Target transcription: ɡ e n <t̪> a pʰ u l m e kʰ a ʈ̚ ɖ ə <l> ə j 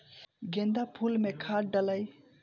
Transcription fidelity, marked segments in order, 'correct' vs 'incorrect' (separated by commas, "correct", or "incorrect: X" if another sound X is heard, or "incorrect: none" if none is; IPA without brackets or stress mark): incorrect: d̪, correct